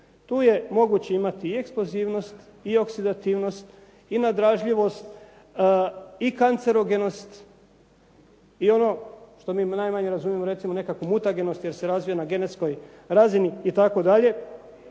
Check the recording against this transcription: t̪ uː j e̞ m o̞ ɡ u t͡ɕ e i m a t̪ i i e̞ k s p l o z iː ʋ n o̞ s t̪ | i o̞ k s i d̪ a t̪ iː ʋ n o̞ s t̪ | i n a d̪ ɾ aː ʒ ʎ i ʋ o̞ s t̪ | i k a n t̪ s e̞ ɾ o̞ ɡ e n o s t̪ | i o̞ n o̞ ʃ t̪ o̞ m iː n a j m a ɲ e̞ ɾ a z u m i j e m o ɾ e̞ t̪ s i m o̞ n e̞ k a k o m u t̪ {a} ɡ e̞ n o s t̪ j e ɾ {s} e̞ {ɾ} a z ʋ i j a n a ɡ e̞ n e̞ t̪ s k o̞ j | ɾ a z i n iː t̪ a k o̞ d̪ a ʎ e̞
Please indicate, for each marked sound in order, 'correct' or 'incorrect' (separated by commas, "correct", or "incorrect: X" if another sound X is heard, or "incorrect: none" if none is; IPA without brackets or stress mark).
correct, correct, correct